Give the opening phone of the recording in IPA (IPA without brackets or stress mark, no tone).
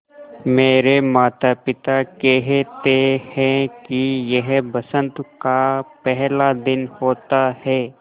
m